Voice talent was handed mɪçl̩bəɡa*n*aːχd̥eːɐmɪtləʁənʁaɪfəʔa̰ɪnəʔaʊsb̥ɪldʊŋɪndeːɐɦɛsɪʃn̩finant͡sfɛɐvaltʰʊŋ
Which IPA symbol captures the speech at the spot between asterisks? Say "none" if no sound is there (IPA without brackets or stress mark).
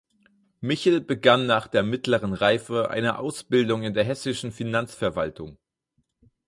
nː